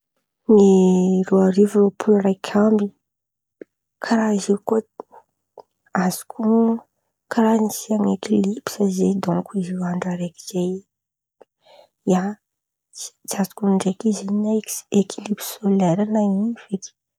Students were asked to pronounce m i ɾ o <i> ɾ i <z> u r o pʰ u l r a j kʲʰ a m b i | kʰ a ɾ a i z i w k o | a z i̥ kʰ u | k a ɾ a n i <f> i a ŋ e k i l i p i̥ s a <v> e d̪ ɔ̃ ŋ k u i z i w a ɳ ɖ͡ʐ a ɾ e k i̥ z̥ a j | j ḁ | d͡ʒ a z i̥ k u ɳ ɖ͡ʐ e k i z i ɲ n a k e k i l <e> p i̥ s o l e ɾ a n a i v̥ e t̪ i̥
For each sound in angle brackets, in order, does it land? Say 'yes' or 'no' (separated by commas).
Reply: no, no, no, no, no